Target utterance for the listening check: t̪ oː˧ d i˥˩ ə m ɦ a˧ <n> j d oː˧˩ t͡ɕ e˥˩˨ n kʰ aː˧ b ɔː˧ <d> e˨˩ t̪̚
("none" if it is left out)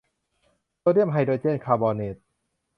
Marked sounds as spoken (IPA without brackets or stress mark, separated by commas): none, n